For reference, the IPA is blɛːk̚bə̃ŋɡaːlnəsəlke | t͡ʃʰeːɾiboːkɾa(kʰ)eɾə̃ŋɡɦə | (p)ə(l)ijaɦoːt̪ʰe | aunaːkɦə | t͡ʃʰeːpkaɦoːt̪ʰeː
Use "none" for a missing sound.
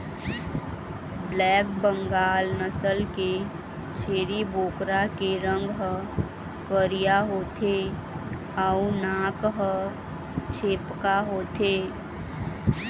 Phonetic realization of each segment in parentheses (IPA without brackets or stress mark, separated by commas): k, k, ɾ